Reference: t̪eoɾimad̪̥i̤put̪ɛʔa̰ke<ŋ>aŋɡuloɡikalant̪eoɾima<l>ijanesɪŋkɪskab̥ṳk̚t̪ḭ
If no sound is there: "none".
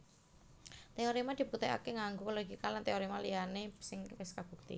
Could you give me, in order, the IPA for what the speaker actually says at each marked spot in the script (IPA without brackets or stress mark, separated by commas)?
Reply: ŋ, l